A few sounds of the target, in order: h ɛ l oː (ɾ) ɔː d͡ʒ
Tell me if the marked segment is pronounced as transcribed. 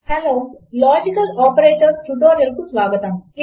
no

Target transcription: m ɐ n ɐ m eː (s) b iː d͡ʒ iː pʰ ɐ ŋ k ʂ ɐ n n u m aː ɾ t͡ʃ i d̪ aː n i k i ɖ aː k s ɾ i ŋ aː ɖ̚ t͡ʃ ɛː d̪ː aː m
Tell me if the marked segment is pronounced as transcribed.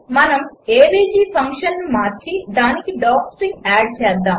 no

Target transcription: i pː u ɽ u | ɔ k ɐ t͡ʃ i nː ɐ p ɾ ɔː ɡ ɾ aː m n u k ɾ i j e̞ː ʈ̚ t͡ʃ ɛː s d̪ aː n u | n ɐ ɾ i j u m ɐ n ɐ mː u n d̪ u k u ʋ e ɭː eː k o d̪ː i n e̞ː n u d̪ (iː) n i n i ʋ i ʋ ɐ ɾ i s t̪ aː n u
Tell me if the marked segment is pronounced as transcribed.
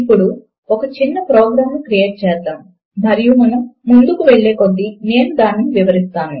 no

